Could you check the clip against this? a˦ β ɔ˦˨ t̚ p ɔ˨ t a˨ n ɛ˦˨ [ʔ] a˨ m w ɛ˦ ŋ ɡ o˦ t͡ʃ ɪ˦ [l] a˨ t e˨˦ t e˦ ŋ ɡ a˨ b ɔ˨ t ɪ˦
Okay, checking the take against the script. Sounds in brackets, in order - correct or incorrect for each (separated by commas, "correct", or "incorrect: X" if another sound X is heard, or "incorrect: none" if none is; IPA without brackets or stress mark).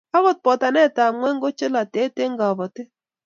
incorrect: t, correct